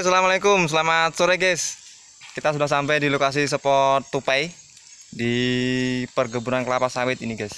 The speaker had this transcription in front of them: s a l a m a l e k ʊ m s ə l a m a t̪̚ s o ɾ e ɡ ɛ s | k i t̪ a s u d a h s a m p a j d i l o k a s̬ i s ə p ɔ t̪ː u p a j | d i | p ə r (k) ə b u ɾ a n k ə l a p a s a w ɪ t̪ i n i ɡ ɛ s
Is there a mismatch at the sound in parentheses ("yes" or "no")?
yes